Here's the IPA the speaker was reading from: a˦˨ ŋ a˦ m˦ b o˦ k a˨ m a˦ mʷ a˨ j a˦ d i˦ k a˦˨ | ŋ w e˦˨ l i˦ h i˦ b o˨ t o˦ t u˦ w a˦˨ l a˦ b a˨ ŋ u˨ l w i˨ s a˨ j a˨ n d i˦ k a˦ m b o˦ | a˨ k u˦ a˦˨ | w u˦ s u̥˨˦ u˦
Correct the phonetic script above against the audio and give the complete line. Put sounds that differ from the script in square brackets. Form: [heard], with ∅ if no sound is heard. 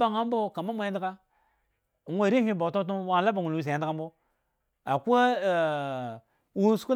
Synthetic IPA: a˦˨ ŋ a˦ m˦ b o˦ k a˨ m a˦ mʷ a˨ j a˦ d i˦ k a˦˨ | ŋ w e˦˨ [ɾ] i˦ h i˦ b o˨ t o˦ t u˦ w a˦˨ l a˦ b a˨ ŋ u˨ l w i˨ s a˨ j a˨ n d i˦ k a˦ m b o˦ | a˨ k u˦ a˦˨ | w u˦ s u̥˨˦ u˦